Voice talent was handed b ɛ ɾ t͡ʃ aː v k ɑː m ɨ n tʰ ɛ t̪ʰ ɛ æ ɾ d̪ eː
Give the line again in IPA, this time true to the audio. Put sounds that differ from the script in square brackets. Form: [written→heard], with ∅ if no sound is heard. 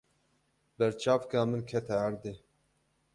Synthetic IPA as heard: b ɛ ɾ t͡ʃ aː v k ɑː m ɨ n [tʰ→kʰ] ɛ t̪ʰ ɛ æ ɾ d̪ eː